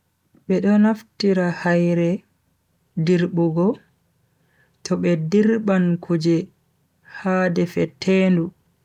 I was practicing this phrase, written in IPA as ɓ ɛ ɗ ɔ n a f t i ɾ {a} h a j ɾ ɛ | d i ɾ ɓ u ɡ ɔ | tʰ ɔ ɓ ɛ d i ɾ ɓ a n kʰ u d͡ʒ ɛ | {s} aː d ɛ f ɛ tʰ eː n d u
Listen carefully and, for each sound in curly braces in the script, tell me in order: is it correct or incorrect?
correct, incorrect

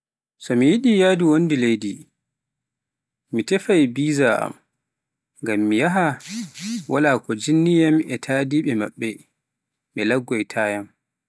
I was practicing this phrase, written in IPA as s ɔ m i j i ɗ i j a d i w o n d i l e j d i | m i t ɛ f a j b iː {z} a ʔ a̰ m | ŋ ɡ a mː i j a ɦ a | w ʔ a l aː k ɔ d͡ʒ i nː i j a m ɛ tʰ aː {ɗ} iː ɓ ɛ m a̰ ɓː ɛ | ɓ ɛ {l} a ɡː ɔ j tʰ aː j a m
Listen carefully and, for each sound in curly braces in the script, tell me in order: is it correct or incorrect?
correct, incorrect, correct

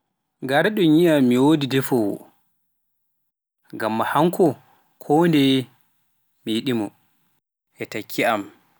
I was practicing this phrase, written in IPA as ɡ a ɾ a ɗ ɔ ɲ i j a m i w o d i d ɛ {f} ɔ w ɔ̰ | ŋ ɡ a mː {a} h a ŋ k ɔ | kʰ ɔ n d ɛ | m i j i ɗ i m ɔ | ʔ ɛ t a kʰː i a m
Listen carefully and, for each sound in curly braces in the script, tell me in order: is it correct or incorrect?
correct, correct

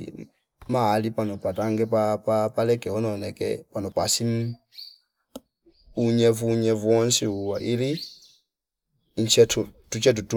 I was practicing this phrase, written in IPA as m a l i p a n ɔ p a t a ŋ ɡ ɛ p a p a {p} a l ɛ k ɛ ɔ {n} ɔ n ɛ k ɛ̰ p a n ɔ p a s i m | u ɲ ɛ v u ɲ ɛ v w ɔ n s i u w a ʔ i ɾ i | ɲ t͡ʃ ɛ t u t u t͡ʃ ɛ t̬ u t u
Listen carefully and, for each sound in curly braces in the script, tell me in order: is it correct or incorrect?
correct, correct

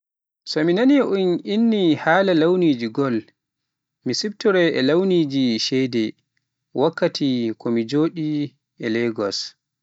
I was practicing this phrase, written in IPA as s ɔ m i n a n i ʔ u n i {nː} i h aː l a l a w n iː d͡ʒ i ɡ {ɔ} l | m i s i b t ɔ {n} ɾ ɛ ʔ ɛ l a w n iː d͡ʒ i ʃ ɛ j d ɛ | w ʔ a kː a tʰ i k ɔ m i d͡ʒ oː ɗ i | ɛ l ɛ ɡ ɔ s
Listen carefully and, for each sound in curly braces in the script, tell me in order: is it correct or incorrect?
correct, correct, incorrect

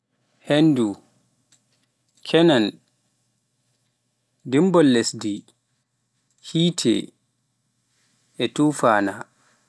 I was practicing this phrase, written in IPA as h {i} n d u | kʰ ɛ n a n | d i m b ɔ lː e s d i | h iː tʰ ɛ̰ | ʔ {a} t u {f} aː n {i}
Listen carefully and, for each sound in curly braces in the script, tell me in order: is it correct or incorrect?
incorrect, incorrect, correct, incorrect

